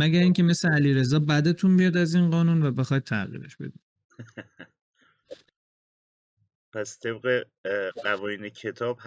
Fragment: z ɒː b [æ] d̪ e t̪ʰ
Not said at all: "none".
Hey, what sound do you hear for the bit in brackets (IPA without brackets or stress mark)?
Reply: æ